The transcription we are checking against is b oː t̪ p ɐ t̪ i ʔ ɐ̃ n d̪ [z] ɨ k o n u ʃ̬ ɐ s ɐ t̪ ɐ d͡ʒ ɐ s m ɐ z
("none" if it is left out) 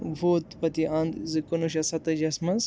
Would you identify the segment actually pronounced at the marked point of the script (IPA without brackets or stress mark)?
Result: z